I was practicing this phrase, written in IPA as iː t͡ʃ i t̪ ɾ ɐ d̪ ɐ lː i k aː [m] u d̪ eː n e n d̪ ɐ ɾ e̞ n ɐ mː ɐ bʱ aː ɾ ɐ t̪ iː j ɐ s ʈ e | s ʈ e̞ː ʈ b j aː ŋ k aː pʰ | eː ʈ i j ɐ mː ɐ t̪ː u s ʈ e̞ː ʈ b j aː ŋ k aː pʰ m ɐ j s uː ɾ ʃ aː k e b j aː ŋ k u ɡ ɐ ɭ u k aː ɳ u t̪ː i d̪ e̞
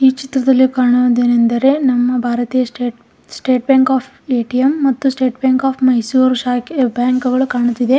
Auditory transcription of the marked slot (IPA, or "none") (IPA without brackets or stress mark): ɳ